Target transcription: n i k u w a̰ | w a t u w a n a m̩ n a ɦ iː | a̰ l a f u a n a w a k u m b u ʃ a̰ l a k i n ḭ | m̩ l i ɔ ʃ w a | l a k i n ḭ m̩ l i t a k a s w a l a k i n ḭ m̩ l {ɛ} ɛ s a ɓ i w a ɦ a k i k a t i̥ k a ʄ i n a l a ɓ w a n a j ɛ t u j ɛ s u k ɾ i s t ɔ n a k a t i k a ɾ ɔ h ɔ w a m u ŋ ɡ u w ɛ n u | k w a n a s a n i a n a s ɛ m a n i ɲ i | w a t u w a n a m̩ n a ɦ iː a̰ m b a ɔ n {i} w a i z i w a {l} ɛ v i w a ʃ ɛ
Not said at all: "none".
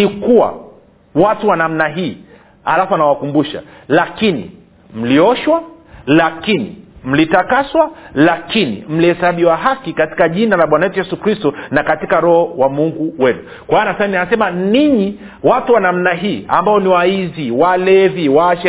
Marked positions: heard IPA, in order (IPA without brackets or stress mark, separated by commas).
i, i, l